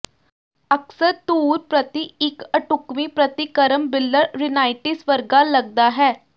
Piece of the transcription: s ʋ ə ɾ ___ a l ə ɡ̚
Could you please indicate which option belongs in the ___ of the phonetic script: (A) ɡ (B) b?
A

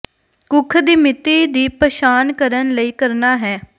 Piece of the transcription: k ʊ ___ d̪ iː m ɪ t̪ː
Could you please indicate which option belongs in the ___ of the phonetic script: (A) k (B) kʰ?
B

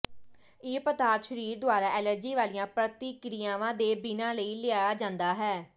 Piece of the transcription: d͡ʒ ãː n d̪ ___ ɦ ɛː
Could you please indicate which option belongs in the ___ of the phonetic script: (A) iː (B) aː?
B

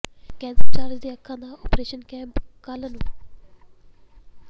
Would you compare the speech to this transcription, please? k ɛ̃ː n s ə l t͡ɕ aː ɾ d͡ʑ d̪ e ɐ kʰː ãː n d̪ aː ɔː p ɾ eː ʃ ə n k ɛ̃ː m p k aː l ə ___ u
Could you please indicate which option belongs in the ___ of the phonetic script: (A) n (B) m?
A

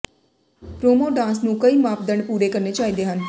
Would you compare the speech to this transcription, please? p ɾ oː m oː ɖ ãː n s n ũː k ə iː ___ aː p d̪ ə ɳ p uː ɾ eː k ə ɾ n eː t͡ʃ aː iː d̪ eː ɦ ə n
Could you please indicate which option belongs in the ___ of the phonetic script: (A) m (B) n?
A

